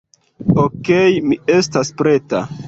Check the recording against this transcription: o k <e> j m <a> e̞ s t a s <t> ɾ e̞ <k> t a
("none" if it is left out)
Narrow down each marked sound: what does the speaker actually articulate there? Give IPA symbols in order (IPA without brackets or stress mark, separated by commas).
e, i, p, none